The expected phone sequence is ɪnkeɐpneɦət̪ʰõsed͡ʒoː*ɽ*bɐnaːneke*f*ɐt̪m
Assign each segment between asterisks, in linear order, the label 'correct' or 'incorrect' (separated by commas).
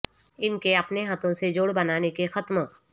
correct, incorrect